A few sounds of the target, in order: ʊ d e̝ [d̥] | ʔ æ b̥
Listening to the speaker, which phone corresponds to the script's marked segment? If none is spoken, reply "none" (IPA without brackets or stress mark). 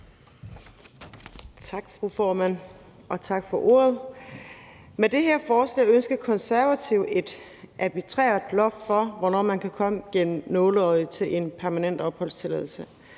d̥